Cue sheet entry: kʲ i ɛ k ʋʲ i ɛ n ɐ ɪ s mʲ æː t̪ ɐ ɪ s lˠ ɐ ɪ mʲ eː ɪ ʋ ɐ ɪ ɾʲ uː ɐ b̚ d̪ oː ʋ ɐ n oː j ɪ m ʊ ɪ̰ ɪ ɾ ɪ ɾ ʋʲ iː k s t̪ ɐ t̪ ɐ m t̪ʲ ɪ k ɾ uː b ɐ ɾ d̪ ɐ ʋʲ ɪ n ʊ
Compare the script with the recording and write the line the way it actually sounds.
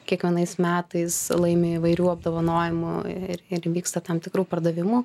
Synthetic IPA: kʲ i ɛ k ʋʲ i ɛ n ɐ ɪ s mʲ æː t̪ ɐ ɪ s lˠ ɐ ɪ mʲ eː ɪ ʋ ɐ ɪ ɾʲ uː ɐ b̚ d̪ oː ʋ ɐ n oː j ɪ m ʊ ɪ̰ ɪ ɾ ɪ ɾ ʋʲ iː k s t̪ ɐ t̪ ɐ m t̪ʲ ɪ k ɾ uː p ɐ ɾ d̪ ɐ ʋʲ ɪ m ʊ